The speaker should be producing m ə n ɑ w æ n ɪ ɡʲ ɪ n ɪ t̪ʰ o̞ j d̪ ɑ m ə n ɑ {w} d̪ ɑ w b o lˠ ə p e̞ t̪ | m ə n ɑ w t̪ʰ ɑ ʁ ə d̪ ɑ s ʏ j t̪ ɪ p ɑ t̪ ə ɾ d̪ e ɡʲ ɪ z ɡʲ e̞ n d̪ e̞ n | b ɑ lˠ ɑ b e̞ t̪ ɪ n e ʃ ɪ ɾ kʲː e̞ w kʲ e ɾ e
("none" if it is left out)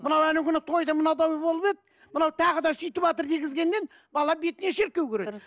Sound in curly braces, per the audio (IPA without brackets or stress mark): w